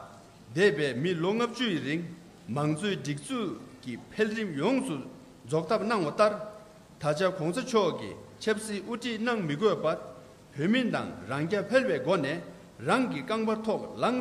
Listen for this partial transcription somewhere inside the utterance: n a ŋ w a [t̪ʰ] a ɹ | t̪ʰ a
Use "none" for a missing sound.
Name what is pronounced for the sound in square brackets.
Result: t̪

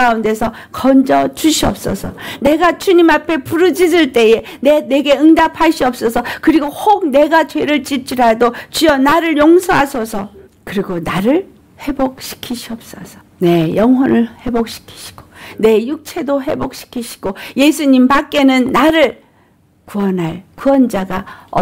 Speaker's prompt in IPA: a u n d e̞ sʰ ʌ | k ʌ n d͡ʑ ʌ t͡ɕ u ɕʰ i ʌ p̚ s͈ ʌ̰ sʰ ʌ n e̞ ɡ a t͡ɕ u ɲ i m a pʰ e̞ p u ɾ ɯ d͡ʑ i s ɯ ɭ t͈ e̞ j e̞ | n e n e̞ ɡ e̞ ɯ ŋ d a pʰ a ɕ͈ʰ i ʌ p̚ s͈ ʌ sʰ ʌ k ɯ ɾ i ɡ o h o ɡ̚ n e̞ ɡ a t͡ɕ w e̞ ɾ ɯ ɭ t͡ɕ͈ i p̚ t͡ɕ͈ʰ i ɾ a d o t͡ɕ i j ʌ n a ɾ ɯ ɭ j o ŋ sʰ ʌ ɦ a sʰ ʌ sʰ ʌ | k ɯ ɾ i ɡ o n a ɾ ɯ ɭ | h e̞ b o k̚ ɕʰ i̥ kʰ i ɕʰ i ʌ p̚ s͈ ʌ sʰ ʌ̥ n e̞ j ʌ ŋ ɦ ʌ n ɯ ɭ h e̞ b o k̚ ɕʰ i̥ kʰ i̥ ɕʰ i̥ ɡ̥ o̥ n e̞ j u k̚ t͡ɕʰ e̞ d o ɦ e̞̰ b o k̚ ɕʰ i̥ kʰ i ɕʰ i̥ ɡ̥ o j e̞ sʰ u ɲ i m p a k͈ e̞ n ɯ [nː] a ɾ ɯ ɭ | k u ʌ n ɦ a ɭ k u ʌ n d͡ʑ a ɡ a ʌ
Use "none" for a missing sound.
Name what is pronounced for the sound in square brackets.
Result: nː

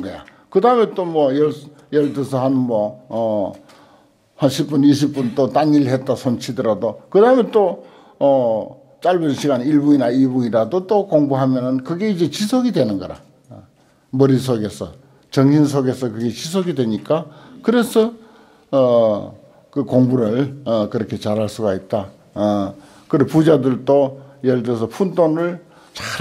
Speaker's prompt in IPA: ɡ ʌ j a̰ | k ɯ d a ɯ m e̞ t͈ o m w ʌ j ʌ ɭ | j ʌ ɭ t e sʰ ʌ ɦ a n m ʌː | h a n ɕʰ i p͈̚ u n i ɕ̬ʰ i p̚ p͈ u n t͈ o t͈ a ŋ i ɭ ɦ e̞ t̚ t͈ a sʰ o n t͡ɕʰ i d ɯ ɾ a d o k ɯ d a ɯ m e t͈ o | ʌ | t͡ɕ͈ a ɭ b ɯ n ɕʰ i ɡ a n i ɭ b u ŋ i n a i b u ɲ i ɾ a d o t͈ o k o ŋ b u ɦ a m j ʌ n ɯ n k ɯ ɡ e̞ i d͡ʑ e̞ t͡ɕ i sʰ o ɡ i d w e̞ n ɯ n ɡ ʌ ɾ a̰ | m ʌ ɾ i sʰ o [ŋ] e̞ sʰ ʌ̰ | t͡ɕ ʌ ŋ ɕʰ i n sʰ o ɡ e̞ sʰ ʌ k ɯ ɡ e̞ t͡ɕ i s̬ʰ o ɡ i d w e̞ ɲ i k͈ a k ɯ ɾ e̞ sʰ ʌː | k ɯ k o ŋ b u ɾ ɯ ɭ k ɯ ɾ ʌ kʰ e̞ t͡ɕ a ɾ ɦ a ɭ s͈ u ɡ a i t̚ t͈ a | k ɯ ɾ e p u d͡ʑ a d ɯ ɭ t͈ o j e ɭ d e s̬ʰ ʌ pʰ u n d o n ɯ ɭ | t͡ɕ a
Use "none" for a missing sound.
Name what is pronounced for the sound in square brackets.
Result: ɡ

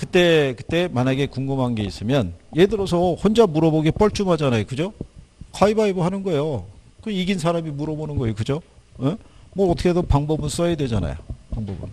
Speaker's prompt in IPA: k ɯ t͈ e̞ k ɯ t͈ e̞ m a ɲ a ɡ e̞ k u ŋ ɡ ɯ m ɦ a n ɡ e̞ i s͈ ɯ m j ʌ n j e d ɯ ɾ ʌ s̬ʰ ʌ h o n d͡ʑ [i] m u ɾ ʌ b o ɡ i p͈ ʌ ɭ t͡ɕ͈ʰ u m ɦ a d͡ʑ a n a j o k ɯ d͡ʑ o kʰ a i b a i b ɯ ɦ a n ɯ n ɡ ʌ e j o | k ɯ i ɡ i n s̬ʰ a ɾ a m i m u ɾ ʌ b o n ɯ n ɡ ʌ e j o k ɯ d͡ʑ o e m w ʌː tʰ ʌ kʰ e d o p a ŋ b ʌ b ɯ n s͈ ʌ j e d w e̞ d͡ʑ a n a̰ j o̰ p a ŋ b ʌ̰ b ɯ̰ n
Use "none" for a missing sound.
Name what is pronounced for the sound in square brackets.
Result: a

